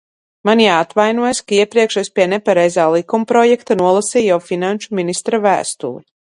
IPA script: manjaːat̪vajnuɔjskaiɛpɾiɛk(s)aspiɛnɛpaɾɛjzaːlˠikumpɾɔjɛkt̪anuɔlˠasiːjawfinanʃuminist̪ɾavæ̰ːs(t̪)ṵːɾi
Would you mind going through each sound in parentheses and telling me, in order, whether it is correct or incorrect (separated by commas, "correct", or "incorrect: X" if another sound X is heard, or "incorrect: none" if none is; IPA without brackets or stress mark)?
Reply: incorrect: ʃ, correct